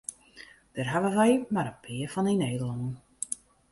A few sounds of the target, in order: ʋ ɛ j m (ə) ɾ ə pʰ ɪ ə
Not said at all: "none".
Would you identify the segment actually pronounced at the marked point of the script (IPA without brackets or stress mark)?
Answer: a